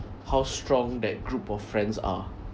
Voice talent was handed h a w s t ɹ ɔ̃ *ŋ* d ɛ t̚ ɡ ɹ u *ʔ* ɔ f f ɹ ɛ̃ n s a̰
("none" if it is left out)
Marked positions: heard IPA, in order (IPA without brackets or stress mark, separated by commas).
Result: ŋ, p